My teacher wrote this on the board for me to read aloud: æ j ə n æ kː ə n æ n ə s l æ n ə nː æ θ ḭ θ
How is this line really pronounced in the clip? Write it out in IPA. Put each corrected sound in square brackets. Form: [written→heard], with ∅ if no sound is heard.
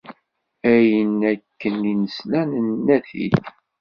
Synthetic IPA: æ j ə n æ kː ə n [æ→i] n ə s l æ n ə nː æ θ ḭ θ